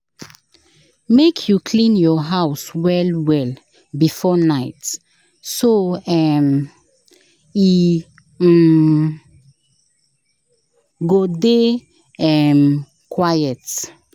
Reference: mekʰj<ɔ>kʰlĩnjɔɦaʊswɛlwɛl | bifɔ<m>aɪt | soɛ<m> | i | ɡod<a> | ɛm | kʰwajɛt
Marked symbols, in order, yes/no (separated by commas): no, no, yes, no